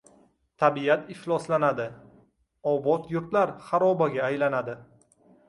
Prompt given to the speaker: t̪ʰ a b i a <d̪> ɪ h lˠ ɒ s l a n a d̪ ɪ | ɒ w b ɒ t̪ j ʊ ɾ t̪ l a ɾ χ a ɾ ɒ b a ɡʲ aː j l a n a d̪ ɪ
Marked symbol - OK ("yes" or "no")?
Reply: no